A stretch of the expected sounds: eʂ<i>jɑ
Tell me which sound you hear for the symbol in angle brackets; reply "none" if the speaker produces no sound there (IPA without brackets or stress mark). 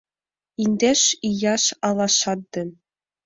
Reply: i